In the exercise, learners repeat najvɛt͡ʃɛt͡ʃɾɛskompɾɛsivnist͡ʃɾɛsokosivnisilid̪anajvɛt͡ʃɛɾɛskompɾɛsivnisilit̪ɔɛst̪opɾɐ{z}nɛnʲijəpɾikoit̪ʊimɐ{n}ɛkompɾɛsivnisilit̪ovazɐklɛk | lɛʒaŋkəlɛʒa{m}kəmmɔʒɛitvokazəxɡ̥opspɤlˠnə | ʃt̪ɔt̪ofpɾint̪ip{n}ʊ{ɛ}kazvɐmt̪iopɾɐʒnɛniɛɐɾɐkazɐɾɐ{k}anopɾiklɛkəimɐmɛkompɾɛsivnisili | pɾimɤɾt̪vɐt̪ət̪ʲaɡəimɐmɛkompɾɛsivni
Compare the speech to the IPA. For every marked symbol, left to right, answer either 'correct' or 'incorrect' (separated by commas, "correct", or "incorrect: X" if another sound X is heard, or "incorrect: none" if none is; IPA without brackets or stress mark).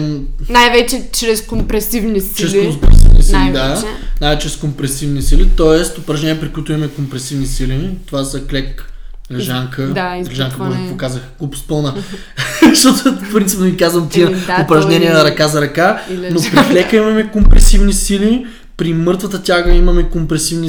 incorrect: ʒ, incorrect: m, incorrect: ŋ, correct, incorrect: i, correct